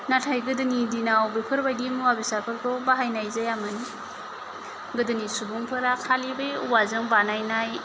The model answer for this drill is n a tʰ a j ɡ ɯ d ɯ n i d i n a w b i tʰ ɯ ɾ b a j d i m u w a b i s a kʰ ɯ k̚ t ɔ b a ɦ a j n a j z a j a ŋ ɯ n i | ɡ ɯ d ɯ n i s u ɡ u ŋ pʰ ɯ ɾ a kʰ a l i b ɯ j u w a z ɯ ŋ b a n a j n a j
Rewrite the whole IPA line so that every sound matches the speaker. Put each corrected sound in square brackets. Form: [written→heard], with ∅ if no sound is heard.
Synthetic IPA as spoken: n a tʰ a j ɡ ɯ d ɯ n i d i n a w b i [tʰ→pʰ] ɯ ɾ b a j d i m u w a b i s a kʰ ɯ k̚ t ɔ b a ɦ a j n a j z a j a [ŋ→m] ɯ n i | ɡ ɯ d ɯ n i s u [ɡ→b] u ŋ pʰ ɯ ɾ a kʰ a l i b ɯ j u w a z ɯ ŋ b a n a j n a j